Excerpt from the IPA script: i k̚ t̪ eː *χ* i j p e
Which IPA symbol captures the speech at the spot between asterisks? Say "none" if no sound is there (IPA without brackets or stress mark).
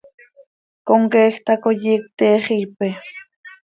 χ